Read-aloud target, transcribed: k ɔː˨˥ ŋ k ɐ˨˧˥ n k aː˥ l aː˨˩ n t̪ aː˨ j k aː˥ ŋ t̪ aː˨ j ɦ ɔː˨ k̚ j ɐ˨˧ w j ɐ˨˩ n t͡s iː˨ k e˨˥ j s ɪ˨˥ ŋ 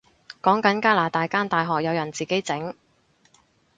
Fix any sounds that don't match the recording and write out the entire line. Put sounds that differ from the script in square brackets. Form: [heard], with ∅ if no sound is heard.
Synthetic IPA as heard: k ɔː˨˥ ŋ k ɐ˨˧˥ n k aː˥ l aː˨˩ [∅] t̪ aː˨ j k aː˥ [n] t̪ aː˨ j ɦ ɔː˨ k̚ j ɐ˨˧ w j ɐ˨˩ n t͡s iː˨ k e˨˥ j [t͡s] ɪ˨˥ ŋ